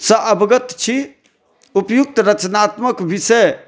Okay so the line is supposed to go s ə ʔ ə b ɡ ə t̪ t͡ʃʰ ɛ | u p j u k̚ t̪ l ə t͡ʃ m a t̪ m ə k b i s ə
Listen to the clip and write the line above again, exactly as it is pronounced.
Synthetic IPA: s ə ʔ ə b ɡ ə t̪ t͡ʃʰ i | u p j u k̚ t̪ ɾ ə t͡ʃ n a t̪ m ə k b i s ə